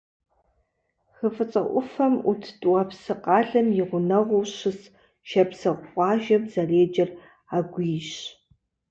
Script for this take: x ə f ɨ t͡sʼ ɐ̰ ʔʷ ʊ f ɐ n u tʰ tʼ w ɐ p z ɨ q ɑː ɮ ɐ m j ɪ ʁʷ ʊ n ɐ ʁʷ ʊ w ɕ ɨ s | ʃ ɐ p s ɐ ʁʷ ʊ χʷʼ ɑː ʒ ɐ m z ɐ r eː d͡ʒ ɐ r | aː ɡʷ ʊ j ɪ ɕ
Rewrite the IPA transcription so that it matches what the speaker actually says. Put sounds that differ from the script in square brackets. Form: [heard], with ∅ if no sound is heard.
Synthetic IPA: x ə f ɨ t͡sʼ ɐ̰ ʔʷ ʊ f ɐ [m] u tʰ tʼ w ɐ p [s] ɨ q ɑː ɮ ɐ m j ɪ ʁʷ ʊ n ɐ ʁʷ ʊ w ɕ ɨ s | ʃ ɐ p s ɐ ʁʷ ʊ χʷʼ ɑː ʒ ɐ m z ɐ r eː d͡ʒ ɐ r | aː ɡʷ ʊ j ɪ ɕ